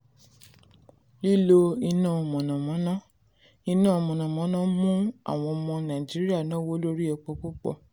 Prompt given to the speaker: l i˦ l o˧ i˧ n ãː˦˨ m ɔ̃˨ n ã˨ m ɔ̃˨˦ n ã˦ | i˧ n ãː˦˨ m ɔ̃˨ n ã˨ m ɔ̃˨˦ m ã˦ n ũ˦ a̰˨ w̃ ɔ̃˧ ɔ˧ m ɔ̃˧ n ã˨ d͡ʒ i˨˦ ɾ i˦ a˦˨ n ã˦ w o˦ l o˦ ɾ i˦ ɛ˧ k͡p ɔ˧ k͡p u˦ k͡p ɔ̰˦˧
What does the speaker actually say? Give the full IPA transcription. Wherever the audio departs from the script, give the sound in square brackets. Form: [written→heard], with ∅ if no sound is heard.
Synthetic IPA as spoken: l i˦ l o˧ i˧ n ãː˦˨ m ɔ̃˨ n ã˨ m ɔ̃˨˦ n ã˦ | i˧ n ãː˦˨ m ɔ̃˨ n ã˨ m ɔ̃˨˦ [m→n] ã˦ [n→m] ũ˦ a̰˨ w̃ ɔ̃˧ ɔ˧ m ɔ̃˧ n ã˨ d͡ʒ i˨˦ ɾ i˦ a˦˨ n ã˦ w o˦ l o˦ ɾ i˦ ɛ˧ k͡p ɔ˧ k͡p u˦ k͡p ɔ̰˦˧